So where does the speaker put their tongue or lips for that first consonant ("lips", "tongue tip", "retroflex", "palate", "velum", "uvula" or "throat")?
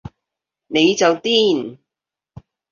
tongue tip